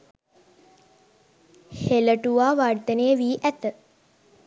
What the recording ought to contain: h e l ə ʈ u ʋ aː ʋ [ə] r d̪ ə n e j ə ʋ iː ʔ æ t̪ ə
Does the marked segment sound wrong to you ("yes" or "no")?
yes